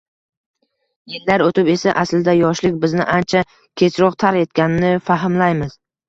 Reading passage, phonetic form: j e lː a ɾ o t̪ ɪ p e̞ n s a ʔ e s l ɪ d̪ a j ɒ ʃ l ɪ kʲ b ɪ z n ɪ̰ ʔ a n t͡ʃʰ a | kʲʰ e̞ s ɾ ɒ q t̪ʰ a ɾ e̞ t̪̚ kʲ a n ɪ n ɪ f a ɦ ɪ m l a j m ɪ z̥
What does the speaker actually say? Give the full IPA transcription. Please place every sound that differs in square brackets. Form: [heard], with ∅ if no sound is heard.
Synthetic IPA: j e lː a ɾ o t̪ ɪ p e̞ [∅] s a ʔ [a] s l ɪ d̪ a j ɒ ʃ l ɪ kʲ b ɪ z n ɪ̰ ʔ a n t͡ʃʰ a | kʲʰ e̞ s ɾ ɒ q t̪ʰ a ɾ e̞ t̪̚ kʲ a n ɪ n ɪ f a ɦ ɪ m l a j m ɪ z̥